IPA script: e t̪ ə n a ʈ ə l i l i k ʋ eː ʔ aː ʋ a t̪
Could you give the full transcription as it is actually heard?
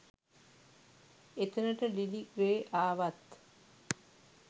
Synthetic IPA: e t̪ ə n ə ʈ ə l i l i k ʋ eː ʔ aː ʋ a t̪